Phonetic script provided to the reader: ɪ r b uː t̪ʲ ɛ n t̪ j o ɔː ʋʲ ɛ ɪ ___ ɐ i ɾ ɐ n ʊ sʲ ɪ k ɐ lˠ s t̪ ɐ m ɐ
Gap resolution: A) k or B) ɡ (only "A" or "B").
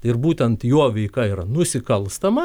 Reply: A